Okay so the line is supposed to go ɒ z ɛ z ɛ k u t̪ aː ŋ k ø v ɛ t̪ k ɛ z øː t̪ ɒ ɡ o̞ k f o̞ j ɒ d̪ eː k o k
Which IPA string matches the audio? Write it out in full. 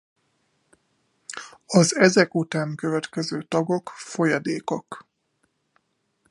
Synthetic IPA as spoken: ɒ z ɛ z ɛ k u t̪ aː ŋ k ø v ɛ t̪ k ɛ z øː t̪ ɒ ɡ o̞ k f o̞ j ɒ d̪ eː k o k